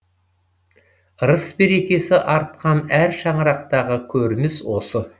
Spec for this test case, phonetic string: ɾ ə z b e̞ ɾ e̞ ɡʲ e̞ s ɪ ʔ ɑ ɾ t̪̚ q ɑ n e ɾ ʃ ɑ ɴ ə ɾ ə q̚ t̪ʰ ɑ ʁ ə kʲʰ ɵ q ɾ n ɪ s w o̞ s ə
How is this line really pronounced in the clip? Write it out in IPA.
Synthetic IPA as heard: ɾ ə s b e̞ ɾ e̞ kʲ e̞ s ɪ ʔ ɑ ɾ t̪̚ q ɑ n æ ɾ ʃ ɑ ɴ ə ɾ ɑ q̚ t̪ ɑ ʁ ə kʲʰ ɵ ɾ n ɪ s w o̞ s ə